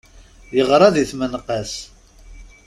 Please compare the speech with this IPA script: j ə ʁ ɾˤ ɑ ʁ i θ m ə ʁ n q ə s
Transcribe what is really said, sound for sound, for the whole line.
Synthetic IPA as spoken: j ə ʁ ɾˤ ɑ ð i θ m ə n q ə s